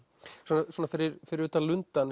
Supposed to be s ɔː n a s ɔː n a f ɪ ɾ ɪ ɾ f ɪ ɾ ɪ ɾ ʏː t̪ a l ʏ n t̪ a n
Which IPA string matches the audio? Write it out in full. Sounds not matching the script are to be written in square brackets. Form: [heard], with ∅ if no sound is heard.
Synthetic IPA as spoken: s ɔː n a s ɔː n a f ɪ ɾ ɪ ɾ f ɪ ɾ ɪ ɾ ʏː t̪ a l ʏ n t̪ a n